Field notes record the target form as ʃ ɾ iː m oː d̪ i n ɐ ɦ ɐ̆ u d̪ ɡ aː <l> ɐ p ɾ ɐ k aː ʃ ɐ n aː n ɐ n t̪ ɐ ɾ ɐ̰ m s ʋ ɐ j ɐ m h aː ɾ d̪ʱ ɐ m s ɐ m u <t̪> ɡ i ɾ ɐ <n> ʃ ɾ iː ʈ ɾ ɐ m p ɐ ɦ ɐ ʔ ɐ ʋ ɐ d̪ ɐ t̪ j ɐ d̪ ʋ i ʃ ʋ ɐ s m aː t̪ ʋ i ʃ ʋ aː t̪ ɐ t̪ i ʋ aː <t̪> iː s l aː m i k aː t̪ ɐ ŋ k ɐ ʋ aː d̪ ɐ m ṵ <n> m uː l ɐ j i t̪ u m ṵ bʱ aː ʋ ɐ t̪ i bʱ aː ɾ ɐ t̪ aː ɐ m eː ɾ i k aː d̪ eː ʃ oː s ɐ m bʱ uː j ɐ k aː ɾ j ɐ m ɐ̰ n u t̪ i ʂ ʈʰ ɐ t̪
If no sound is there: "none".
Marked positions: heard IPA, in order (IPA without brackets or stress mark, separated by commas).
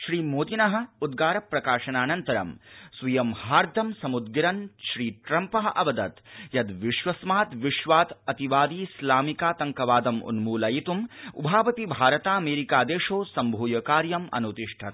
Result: ɾ, d̪, n, d̪, n